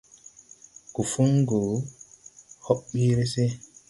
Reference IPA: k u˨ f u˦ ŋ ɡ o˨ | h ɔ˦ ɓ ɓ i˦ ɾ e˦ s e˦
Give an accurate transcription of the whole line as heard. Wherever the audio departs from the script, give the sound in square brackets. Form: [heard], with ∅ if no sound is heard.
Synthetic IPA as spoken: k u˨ f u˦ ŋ ɡ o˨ | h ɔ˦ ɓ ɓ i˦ ɾ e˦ s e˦